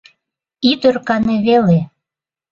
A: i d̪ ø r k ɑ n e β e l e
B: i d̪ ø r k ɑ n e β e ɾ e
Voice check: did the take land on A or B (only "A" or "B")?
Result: A